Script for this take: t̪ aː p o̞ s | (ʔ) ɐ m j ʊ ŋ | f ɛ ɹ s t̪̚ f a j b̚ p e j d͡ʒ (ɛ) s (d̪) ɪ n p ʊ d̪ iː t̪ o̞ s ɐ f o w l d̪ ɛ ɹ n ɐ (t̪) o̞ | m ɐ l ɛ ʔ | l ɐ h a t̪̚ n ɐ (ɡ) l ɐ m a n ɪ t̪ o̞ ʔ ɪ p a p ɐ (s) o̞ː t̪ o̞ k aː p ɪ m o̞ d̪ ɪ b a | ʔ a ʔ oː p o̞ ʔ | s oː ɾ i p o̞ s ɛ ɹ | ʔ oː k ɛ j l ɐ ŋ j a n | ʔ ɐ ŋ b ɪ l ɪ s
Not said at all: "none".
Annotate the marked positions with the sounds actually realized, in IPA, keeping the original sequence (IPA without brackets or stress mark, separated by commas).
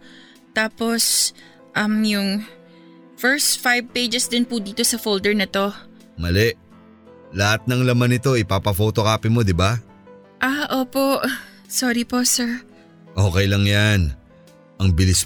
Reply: ʔ, ɛ, d̪, t̪, ŋ, f